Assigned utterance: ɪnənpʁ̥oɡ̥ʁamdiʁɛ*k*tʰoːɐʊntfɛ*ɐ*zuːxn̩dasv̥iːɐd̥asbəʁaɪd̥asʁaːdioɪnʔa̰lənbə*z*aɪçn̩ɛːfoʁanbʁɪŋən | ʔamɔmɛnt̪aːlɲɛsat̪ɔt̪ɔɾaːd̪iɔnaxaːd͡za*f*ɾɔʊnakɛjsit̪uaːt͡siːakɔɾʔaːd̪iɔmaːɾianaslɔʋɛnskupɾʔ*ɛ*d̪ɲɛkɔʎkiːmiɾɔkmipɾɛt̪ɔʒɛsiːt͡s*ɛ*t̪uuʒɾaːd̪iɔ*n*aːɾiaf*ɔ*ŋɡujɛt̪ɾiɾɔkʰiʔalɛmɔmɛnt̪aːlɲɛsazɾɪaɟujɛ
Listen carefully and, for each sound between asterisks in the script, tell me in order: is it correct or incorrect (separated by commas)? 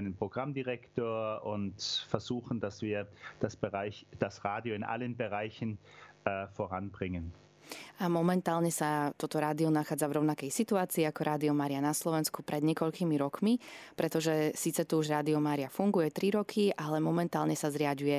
correct, correct, incorrect, incorrect, correct, correct, incorrect, incorrect